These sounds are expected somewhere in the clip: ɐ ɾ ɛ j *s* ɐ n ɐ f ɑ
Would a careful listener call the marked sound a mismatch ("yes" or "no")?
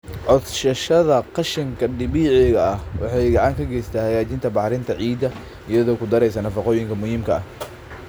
no